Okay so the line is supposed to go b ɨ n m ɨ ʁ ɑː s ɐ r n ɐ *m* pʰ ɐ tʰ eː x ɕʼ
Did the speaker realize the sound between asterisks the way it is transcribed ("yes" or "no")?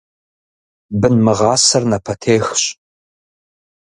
no